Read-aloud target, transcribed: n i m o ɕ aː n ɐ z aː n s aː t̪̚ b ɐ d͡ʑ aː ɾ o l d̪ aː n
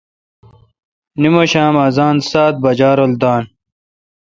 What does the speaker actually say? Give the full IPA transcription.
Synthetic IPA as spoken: n i m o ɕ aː m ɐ z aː n s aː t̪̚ b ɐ d͡ʑ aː ɾ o l d̪ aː n